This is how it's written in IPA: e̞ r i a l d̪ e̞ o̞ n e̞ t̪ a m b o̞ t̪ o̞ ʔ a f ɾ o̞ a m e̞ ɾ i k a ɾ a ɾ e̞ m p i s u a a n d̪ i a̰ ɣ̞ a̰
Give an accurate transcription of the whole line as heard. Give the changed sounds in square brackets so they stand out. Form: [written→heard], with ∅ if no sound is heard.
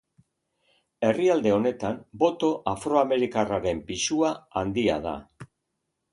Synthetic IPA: e̞ r i a l d̪ e̞ o̞ n e̞ t̪ a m b o̞ t̪ o̞ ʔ a f ɾ o̞ a m e̞ ɾ i k a [ɾ→r] a ɾ e̞ m p i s u a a n d̪ i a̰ [ɣ̞→ð̞] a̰